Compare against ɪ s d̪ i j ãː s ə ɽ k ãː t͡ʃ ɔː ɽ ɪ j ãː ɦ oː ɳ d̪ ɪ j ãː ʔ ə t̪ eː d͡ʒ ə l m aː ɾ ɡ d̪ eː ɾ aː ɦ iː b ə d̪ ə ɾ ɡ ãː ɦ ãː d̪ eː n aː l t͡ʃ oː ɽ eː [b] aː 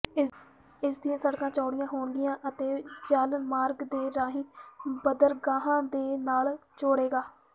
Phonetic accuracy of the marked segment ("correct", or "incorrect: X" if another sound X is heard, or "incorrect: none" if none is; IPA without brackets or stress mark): incorrect: ɡ